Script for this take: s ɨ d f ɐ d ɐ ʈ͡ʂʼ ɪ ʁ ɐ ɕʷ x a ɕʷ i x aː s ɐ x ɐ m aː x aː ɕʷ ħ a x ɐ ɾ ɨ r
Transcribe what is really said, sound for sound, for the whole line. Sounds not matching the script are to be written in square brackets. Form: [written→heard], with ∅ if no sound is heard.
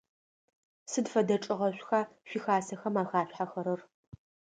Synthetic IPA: s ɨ d f ɐ d ɐ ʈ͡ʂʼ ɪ ʁ ɐ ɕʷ x a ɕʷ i x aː s ɐ x ɐ m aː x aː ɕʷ ħ a x ɐ ɾ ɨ r